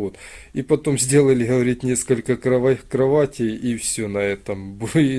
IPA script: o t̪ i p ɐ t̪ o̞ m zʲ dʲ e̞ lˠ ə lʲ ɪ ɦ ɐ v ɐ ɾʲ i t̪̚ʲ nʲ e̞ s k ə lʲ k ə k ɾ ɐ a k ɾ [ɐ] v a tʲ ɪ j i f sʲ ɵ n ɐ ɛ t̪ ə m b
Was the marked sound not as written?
no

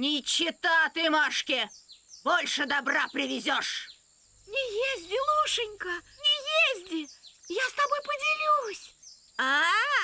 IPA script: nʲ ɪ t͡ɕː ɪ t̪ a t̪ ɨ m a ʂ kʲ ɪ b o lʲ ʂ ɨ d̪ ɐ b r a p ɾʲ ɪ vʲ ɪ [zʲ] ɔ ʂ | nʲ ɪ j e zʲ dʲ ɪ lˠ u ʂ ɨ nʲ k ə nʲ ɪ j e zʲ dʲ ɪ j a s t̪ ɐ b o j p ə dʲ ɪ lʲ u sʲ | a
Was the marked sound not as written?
no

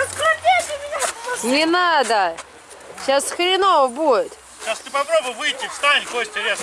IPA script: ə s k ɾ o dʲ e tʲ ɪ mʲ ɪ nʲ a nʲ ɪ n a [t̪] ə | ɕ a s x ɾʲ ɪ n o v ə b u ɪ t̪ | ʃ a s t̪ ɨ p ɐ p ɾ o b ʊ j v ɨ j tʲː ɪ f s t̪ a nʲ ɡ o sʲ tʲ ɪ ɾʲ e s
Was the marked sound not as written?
yes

